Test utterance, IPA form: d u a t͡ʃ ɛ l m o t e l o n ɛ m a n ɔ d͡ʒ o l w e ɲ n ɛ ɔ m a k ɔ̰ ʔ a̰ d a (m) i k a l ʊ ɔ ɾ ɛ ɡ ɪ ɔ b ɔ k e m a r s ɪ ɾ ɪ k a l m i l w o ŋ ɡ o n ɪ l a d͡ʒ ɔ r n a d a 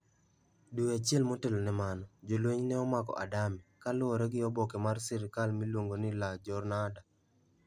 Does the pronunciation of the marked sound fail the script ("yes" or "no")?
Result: no